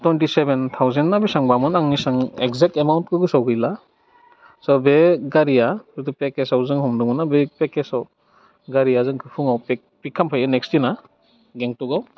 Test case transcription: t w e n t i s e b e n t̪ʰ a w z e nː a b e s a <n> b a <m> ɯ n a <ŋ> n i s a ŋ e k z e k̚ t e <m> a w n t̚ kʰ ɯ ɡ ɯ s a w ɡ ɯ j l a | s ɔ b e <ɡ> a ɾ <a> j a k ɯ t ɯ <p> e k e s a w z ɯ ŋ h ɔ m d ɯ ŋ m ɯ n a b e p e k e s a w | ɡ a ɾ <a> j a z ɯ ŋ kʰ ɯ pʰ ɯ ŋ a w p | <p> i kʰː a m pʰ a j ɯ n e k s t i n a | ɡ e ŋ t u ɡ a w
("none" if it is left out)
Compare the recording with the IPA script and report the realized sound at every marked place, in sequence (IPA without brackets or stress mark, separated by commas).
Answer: ŋ, m, ŋ, m, ɡ, i, p, i, p